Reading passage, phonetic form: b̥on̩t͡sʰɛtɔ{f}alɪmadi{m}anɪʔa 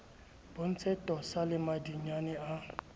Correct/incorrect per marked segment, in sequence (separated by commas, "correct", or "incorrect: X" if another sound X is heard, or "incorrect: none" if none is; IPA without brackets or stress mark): incorrect: s, incorrect: ɲ